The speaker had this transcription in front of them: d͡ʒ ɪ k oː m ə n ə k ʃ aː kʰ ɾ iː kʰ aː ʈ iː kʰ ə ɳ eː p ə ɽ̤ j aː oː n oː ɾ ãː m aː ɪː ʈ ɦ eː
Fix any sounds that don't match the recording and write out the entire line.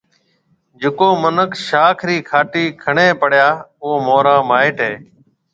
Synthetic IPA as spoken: d͡ʒ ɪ k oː m ə n ə k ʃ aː kʰ ɾ iː kʰ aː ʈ iː kʰ ə ɳ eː p ə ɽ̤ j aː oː m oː ɾ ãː m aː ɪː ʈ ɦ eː